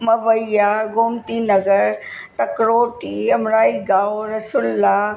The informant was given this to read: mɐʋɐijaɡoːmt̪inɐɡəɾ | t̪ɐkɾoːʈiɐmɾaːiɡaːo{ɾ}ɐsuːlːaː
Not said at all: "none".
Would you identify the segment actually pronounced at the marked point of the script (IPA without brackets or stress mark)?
ɾ